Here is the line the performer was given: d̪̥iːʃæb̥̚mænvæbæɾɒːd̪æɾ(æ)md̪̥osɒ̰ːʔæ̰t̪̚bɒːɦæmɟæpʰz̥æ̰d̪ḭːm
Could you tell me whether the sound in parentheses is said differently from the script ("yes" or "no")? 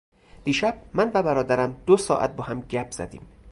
no